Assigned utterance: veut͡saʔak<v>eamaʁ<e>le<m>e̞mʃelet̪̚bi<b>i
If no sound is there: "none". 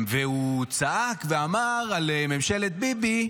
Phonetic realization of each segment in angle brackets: v, a, m, b

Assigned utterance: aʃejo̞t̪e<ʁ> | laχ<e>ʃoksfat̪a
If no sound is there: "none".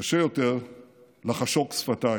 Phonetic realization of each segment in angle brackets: ʁ, a

